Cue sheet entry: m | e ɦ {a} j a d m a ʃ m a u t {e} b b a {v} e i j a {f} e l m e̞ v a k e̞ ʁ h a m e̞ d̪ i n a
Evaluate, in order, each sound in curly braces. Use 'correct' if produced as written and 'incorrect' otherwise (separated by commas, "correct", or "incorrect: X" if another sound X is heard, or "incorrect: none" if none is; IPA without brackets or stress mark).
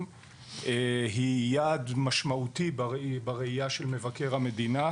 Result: incorrect: i, incorrect: i, incorrect: ʁ, incorrect: ʃ